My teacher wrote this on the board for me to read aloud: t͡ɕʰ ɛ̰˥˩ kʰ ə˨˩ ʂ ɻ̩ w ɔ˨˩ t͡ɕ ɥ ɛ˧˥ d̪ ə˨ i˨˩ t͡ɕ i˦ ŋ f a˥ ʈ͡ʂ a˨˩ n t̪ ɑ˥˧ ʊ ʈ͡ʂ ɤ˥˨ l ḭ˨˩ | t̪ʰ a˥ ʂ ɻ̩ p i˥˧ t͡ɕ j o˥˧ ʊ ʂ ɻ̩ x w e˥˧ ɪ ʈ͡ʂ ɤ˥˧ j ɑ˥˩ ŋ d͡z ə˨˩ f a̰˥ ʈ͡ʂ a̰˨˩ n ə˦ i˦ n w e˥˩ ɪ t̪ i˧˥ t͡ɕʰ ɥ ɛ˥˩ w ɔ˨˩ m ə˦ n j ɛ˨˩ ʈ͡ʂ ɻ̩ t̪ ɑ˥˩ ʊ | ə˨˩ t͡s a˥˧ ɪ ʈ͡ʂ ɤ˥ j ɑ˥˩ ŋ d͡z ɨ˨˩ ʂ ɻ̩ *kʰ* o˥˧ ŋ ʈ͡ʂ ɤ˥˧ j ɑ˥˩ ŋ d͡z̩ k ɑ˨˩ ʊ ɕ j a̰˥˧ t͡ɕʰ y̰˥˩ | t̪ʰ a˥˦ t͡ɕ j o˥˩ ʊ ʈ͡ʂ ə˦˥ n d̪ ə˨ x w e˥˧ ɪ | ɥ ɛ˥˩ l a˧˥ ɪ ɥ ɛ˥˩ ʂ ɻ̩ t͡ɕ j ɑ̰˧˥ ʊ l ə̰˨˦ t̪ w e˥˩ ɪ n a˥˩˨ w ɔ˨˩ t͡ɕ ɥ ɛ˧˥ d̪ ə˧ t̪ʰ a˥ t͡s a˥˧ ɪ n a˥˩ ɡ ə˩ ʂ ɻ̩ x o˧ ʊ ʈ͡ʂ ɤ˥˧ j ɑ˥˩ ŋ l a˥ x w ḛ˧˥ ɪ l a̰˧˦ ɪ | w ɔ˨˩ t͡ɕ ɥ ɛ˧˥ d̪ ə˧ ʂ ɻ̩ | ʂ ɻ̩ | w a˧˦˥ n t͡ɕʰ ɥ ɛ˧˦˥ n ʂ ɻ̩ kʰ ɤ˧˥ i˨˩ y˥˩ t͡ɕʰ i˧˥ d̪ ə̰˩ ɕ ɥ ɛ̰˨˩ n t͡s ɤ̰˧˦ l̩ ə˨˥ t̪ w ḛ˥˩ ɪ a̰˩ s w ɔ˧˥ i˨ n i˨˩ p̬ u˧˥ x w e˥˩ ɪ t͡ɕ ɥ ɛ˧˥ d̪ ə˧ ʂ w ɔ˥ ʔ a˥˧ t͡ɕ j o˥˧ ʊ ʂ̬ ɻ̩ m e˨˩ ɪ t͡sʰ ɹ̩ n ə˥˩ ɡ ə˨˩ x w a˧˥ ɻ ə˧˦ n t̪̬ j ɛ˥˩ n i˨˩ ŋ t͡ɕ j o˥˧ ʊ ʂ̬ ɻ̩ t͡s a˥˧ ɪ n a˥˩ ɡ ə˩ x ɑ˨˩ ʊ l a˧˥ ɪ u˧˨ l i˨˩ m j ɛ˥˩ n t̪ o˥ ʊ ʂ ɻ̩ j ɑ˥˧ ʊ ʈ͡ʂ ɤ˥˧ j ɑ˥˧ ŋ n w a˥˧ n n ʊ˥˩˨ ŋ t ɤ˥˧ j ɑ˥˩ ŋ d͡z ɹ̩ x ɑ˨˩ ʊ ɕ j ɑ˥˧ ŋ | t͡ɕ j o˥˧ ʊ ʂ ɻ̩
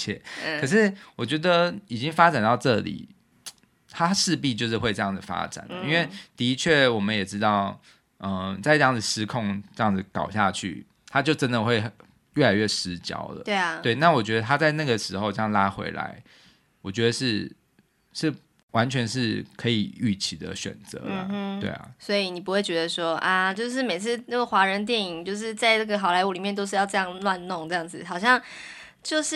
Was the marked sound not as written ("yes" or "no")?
no